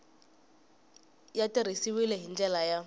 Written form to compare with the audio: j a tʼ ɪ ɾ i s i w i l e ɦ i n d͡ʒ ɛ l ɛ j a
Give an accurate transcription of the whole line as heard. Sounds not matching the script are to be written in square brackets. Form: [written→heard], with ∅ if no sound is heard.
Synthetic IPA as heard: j a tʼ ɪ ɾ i s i w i l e ɦ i n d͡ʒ ɛ l [ɛ→a] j a